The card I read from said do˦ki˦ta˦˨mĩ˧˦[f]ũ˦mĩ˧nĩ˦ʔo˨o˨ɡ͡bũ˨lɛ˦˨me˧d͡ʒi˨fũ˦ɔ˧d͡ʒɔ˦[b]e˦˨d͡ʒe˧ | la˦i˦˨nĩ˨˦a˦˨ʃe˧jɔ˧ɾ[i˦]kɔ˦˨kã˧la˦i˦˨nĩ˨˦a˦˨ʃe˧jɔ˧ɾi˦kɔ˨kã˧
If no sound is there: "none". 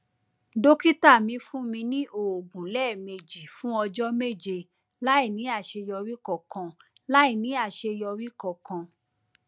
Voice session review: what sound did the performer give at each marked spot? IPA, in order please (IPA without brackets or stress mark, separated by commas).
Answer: f, m, i˦